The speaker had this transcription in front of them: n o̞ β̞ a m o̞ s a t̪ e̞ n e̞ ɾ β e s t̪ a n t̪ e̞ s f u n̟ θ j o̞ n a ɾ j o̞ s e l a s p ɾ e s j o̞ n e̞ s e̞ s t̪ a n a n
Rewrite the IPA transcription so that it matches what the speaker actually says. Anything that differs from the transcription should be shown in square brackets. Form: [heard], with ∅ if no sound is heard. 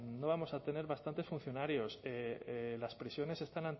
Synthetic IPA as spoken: n o̞ β̞ a m o̞ s a t̪ e̞ n e̞ ɾ β [a] s t̪ a n t̪ e̞ s f u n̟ θ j o̞ n a ɾ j o̞ s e l a s p ɾ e s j o̞ n e̞ s e̞ s t̪ a n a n